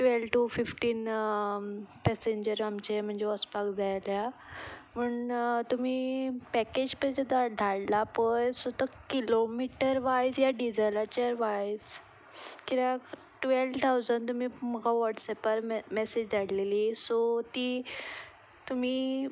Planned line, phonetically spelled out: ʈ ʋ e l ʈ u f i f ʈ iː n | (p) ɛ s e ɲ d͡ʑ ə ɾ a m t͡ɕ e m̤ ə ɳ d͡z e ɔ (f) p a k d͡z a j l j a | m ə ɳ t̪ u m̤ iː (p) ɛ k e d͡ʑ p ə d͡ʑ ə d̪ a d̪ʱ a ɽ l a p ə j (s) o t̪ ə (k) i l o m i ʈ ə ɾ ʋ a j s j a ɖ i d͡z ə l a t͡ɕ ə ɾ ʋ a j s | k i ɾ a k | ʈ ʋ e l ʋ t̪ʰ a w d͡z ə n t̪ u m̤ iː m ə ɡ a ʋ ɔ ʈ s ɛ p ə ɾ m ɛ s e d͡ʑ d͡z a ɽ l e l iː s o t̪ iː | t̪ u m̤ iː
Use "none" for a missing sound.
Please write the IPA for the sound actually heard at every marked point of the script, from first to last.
p, s, p, s, k

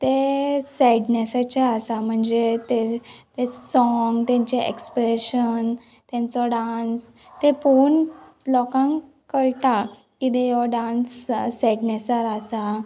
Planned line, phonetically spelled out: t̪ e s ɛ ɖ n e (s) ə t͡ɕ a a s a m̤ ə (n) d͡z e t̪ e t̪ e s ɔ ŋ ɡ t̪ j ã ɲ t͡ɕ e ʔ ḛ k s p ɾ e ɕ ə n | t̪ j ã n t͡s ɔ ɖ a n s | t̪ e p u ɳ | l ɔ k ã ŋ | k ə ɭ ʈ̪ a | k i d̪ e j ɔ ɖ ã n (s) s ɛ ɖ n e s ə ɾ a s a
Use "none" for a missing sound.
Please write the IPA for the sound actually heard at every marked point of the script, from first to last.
s, ɳ, s

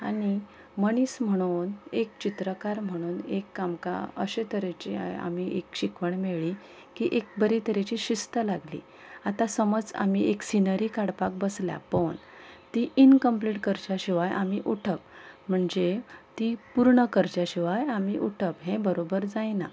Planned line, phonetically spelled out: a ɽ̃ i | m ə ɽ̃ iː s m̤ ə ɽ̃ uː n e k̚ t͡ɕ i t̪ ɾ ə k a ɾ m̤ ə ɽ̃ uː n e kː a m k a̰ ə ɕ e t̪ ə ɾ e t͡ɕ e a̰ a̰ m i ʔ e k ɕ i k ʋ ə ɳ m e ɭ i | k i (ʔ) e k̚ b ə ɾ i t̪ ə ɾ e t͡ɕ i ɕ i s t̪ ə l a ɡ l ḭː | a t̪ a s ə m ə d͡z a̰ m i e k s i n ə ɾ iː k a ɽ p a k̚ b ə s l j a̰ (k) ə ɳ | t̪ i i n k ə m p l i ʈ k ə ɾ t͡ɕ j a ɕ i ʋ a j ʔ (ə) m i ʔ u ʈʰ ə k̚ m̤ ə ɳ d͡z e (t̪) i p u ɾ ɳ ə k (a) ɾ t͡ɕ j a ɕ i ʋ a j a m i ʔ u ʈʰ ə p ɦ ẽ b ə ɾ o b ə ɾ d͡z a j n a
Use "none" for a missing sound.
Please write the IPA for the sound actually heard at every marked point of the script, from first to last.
ʔ, p, a, t̪, ə

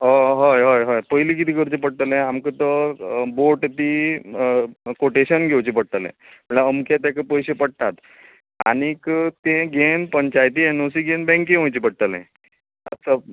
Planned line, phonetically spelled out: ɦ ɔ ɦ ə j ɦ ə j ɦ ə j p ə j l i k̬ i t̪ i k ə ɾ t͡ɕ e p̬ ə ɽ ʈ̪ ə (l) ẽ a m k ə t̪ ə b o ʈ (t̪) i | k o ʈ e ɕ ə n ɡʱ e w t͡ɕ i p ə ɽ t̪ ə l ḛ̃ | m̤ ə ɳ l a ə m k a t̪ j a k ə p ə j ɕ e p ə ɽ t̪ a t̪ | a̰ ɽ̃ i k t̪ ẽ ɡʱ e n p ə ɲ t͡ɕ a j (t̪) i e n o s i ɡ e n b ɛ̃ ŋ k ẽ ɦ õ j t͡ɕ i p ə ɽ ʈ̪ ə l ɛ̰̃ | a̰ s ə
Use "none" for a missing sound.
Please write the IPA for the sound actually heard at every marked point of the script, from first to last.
l, t̪, t̪

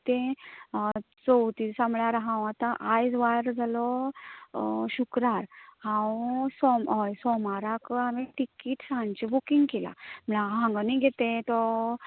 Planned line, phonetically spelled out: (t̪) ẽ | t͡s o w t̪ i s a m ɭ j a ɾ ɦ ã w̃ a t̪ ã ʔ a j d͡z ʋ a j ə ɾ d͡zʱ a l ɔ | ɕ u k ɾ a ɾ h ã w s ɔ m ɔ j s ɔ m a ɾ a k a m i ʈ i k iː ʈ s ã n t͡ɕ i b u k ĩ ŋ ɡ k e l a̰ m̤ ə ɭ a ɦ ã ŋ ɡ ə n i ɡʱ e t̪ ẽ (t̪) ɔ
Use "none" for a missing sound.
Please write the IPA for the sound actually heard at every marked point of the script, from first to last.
t̪, t̪

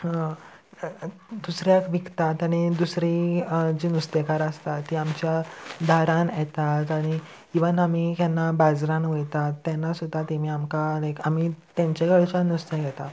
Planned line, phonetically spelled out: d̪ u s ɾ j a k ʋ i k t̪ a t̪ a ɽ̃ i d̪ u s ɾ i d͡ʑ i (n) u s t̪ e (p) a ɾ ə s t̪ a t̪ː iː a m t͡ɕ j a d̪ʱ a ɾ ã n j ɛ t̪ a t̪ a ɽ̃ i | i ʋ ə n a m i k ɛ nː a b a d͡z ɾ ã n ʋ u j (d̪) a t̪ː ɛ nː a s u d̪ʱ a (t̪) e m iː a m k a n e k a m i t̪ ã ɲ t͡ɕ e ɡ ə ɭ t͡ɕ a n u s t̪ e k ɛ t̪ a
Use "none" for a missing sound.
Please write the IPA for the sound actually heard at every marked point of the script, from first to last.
n, k, t̪, t̪

